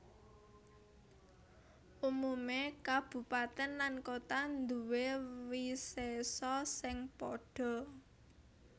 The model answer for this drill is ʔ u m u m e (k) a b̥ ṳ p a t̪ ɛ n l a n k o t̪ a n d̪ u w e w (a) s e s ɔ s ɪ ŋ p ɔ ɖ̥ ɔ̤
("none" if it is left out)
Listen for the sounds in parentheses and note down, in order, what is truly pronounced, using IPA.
k, i

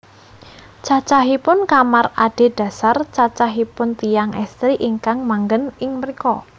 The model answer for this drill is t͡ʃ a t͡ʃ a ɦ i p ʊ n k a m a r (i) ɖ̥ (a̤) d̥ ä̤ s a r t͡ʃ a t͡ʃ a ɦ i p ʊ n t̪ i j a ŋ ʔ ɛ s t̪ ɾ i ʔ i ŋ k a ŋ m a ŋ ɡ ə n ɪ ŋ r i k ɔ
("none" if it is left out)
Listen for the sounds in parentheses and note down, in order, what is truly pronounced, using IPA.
a, e̤

